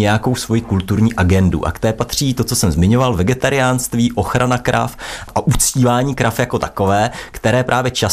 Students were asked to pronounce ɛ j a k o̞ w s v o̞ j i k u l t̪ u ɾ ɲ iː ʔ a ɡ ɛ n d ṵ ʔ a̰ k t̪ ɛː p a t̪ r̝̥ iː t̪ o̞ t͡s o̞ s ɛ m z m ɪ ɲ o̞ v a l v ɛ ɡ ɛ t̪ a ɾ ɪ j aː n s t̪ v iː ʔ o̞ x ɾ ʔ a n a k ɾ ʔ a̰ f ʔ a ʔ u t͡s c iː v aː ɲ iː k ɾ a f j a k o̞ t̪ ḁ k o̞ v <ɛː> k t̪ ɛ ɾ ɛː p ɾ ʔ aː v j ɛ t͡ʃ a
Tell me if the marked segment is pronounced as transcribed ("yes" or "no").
yes